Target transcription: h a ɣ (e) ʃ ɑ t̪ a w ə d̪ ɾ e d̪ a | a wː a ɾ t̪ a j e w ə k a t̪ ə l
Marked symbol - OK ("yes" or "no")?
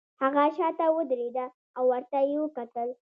no